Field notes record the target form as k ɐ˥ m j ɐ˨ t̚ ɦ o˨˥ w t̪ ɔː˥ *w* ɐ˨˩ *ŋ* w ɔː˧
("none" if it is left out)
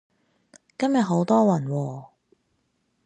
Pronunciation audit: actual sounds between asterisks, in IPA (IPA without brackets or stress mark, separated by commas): w, n